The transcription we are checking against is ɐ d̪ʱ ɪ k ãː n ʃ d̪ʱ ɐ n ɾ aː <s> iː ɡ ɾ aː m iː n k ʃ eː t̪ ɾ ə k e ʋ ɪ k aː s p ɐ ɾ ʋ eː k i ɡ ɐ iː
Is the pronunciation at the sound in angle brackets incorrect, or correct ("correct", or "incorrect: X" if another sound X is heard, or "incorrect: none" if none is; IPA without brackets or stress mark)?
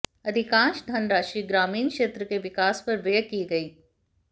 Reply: incorrect: ʃ